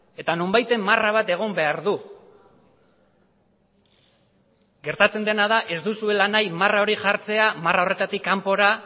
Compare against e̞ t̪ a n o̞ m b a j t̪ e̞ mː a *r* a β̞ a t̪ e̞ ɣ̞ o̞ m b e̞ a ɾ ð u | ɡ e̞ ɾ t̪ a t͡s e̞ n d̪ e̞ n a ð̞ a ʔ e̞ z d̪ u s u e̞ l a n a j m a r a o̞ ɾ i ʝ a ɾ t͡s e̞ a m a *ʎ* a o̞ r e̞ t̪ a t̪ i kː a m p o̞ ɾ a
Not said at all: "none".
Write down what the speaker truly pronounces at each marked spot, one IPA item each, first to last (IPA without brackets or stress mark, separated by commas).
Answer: r, r